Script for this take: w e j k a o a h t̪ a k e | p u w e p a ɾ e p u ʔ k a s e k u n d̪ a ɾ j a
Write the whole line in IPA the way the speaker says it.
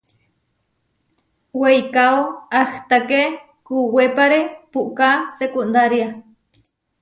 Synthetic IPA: w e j k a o a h t̪ a k e | k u w e p a ɾ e p u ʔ k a s e k u n d̪ a ɾ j a